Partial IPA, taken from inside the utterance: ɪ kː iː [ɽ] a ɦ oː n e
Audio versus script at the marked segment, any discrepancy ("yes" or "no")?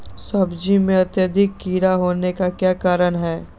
yes